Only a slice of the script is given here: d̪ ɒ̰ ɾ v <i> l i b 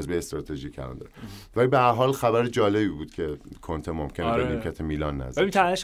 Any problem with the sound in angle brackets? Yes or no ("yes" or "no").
yes